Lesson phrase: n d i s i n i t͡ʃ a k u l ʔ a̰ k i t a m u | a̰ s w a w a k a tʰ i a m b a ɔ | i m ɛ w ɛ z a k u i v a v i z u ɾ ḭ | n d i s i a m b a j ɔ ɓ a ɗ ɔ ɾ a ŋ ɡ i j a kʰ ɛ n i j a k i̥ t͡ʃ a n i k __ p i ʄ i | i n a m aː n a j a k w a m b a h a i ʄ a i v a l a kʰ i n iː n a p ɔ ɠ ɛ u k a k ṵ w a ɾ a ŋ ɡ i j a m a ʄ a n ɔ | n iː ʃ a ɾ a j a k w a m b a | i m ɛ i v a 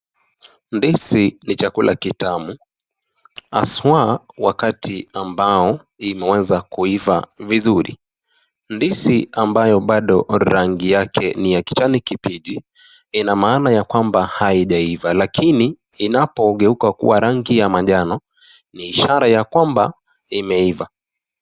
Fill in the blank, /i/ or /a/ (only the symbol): i